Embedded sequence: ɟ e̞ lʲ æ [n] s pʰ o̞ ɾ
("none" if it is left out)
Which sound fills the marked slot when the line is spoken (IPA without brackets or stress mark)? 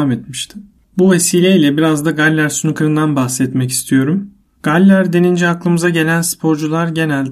n